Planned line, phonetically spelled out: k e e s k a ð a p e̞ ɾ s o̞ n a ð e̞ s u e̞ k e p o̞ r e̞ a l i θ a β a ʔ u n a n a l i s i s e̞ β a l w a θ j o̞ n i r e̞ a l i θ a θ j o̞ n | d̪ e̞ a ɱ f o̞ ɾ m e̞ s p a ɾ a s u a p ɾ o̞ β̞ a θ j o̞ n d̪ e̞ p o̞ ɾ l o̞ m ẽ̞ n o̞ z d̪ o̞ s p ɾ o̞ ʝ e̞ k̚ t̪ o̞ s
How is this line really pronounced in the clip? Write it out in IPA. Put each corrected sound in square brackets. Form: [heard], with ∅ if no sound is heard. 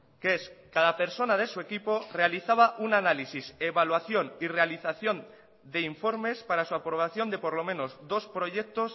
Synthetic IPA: k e e s k a ð a p e̞ ɾ s o̞ n a ð e̞ s u e̞ k [i] p o̞ r e̞ a l i θ a β a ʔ u n a n a l i s i s e̞ β a l w a θ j o̞ n i r e̞ a l i θ a θ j o̞ n | d̪ e̞ [i] ɱ f o̞ ɾ m e̞ s p a ɾ a s u a p ɾ o̞ β̞ a θ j o̞ n d̪ e̞ p o̞ ɾ l o̞ m ẽ̞ n o̞ z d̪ o̞ s p ɾ o̞ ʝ e̞ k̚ t̪ o̞ s